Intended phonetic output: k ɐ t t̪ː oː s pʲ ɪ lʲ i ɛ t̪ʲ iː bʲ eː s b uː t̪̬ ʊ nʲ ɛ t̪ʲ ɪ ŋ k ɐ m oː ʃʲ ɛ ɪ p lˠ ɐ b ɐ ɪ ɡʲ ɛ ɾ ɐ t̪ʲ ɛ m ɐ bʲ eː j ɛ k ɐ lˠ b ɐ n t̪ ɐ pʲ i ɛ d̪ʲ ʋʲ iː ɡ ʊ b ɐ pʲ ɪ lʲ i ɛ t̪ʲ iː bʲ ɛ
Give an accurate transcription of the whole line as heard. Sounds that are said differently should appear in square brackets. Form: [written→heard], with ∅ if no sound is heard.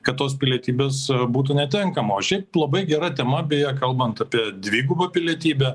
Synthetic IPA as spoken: k ɐ t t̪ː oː s pʲ ɪ lʲ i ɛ t̪ʲ iː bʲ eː s b uː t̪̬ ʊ nʲ ɛ t̪ʲ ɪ ŋ k ɐ m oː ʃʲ ɛ ɪ p lˠ ɐ b ɐ ɪ ɡʲ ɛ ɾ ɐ t̪ʲ ɛ m ɐ bʲ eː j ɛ k ɐ lˠ b ɐ n t̪ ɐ pʲ i ɛ d̪ʲ ʋʲ iː ɡ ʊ b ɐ pʲ ɪ lʲ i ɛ t̪ʲ iː bʲ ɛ